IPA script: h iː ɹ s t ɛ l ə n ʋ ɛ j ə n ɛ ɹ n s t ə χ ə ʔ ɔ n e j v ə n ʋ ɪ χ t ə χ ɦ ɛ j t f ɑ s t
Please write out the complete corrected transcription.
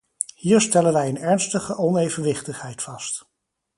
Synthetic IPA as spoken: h iː ɹ s t ɛ l ə n ʋ ɛ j ə n ɛ ɹ n s t ə χ ə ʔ ɔ n e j v ə n ʋ ɪ χ t ə χ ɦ ɛ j t f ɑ s t